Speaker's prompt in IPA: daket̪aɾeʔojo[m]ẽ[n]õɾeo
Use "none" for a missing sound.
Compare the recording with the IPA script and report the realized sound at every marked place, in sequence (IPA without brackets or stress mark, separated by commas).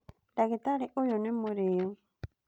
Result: n, m